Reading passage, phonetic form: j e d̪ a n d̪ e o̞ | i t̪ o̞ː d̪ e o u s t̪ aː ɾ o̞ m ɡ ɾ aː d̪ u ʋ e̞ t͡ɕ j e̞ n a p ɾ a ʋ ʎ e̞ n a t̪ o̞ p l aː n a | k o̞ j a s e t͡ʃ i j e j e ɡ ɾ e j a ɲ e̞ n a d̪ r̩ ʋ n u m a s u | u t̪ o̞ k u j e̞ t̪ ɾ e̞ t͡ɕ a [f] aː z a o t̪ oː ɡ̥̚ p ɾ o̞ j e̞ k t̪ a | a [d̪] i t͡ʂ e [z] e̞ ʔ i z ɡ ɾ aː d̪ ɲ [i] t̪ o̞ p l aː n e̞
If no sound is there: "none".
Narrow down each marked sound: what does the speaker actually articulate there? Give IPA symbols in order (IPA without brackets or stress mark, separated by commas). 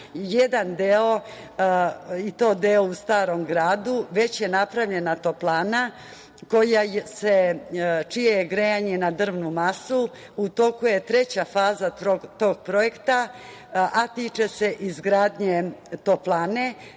f, t̪, s, e